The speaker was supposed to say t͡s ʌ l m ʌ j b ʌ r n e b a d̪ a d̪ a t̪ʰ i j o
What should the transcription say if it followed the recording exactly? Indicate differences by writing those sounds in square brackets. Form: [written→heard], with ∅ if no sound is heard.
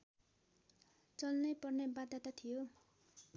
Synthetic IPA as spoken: t͡s ʌ l [m→n] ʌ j [b→p] ʌ r n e b a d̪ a [d̪→t̪] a t̪ʰ i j o